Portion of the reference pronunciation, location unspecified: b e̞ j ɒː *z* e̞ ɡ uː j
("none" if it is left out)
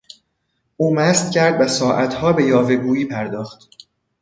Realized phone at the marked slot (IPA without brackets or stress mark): v